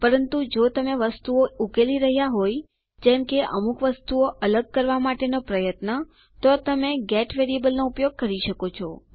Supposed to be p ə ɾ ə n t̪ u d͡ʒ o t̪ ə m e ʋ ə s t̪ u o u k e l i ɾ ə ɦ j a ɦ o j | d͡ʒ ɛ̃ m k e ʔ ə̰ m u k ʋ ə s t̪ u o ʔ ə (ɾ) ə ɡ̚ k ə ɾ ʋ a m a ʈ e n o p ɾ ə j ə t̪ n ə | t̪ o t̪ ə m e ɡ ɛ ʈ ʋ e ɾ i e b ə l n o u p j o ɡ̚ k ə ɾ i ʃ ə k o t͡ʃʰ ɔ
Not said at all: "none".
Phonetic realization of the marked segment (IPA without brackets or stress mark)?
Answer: l